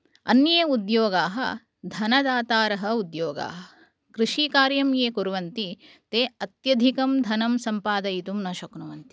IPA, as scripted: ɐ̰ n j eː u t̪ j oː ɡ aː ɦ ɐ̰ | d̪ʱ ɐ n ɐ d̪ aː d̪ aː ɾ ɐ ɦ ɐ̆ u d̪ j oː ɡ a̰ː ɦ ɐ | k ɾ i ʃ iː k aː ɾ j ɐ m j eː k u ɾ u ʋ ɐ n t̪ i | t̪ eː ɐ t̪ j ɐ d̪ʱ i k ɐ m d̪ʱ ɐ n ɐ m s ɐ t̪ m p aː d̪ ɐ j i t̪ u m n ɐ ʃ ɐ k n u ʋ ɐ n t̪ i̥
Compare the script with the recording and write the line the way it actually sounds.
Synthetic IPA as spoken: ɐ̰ n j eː u d̪ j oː ɡ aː ɦ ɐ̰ | d̪ʱ ɐ n ɐ d̪ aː t̪ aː ɾ ɐ ɦ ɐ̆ u d̪ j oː ɡ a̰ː ɦ ɐ | k ɾ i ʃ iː k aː ɾ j ɐ m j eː k u ɾ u ʋ ɐ n t̪ i | t̪ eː ɐ t̪ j ɐ d̪ʱ i k ɐ m d̪ʱ ɐ n ɐ m s ɐ m p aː d̪ ɐ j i t̪ u m n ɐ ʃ ɐ k n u ʋ ɐ n t̪ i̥

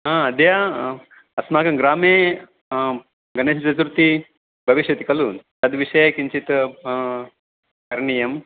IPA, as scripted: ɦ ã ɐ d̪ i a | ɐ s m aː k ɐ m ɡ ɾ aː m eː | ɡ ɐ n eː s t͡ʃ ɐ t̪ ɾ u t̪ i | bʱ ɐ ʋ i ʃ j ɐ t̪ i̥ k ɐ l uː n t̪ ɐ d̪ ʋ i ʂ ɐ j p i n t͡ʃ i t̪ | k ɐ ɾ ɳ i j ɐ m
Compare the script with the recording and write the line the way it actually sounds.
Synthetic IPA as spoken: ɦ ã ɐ d̪ j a | ɐ s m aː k ɐ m ɡ ɾ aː m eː | ɡ ɐ n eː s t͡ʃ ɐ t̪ ɾ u t̪ i | bʱ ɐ ʋ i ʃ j ɐ t̪ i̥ k ɐ l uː n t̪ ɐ d̪ ʋ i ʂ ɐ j k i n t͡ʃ i t̪ | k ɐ ɾ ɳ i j ɐ m

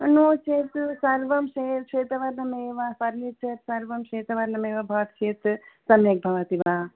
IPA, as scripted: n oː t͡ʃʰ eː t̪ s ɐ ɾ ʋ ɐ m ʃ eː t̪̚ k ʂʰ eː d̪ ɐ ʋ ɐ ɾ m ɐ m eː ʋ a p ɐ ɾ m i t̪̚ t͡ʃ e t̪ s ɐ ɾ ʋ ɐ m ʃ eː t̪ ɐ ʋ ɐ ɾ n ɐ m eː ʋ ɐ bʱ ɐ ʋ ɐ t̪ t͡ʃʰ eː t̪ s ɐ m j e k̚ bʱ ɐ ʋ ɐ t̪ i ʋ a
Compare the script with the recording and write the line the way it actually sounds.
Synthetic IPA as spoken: n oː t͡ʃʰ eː t̪ s ɐ ɾ ʋ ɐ m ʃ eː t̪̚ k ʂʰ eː t̪ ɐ ʋ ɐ ɾ n ɐ m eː ʋ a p ɐ ɾ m i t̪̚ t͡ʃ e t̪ s ɐ ɾ ʋ ɐ m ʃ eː t̪ ɐ ʋ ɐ ɾ n ɐ m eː ʋ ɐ bʱ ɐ ʋ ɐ t̪ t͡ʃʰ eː t̪ s ɐ m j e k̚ bʱ ɐ ʋ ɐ t̪ i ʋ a

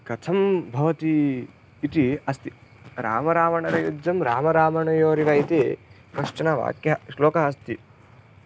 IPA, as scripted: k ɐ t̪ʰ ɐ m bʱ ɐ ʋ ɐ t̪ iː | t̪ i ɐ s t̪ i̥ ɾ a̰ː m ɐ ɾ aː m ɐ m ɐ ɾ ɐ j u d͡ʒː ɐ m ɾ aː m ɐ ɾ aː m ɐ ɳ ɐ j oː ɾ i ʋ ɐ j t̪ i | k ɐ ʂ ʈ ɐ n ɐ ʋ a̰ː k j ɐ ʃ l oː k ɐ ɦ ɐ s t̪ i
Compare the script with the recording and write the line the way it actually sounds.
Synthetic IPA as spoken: k ɐ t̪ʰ ɐ m bʱ ɐ ʋ ɐ t̪ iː | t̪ i ɐ s t̪ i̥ ɾ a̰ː m ɐ ɾ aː m ɐ ɳ ɐ ɾ ɐ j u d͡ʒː ɐ m ɾ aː m ɐ ɾ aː m ɐ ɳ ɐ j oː ɾ i ʋ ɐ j t̪ i | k ɐ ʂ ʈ ɐ n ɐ ʋ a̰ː k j ɐ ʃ l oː k ɐ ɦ ɐ s t̪ i

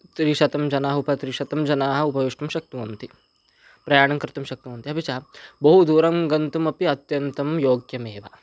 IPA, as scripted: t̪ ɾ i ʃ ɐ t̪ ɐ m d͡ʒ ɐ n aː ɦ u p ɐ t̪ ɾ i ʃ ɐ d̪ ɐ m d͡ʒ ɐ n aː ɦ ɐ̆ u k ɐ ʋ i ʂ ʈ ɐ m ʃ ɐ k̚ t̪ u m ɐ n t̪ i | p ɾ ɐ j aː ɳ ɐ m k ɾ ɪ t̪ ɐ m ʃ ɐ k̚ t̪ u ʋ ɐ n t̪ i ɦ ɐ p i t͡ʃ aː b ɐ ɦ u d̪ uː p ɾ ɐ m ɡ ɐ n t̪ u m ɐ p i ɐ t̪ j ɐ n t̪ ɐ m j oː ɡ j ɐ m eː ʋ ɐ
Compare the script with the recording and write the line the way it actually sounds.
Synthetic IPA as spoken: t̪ ɾ i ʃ ɐ t̪ ɐ m d͡ʒ ɐ n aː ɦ u p ɐ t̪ ɾ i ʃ ɐ t̪ ɐ m d͡ʒ ɐ n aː ɦ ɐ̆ u p ɐ ʋ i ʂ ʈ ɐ m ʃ ɐ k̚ t̪ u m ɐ n t̪ i | p ɾ ɐ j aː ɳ ɐ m k ɾ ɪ t̪ ɐ m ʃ ɐ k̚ t̪ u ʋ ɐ n t̪ i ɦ ɐ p i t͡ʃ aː b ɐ ɦ u d̪ uː ɾ ɐ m ɡ ɐ n t̪ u m ɐ p i ɐ t̪ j ɐ n t̪ ɐ m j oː ɡ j ɐ m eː ʋ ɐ

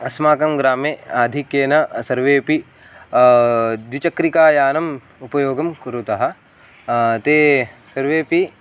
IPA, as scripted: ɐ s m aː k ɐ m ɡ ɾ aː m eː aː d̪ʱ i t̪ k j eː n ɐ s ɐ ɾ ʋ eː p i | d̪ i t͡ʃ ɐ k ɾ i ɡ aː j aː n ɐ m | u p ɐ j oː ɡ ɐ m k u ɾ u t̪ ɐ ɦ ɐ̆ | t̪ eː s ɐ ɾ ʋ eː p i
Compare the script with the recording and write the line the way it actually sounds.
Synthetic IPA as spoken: ɐ s m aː k ɐ m ɡ ɾ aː m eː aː d̪ʱ i k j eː n ɐ s ɐ ɾ ʋ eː p i | d̪ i t͡ʃ ɐ k ɾ i k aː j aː n ɐ m | u p ɐ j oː ɡ ɐ m k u ɾ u t̪ ɐ ɦ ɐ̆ | t̪ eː s ɐ ɾ ʋ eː p i

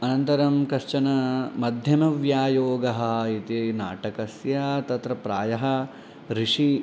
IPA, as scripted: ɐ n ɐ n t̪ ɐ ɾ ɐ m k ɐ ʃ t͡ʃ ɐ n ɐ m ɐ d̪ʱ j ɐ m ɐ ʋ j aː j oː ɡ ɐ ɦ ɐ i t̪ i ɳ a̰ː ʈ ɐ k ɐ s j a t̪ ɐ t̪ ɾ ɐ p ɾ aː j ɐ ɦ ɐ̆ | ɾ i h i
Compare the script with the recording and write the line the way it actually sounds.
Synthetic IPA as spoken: ɐ n ɐ n t̪ ɐ ɾ ɐ m k ɐ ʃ t͡ʃ ɐ n ɐ m ɐ d̪ʱ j ɐ m ɐ ʋ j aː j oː ɡ ɐ ɦ ɐ i t̪ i n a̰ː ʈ ɐ k ɐ s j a t̪ ɐ t̪ ɾ ɐ p ɾ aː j ɐ ɦ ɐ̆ | ɾ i ʂ i

